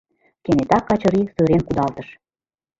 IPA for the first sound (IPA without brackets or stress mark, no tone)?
k